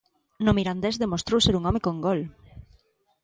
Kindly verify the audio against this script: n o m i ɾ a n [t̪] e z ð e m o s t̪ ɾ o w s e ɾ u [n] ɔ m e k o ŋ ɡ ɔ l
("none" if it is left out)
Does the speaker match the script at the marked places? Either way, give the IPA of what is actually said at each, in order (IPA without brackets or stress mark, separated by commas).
d̪, ŋ